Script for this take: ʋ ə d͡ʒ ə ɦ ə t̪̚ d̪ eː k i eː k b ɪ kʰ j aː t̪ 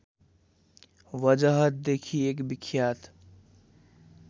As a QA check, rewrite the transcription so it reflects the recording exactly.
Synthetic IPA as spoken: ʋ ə d͡ʒ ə ɦ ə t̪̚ d̪ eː kʰ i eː k b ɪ kʰ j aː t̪